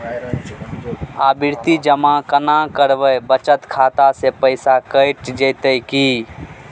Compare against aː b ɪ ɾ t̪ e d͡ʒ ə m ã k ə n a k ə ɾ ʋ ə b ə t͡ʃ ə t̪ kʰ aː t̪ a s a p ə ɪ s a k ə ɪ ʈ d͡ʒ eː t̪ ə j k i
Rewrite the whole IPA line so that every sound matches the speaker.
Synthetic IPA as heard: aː b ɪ ɾ t̪ i d͡ʒ ə m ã k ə n a k ə ɾ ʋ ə b ə t͡ʃ ə t̪ kʰ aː t̪ a s e p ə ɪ s a k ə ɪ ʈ d͡ʒ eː t̪ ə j k i